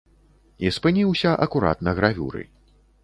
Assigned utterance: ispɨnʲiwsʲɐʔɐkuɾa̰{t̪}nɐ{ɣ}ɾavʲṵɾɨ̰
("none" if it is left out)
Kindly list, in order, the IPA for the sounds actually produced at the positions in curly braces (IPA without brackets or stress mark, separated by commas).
t̪, ɣ